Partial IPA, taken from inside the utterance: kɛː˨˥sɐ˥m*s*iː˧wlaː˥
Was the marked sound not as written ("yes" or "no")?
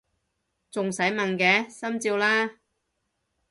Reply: yes